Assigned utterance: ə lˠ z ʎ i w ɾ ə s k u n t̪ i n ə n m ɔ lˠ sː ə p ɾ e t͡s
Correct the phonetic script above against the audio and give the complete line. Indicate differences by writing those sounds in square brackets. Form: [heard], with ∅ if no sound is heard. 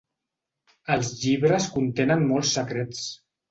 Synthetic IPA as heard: ə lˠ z ʎ i [β] ɾ ə s k u n t̪ [e] n ə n m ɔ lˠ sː ə [k] ɾ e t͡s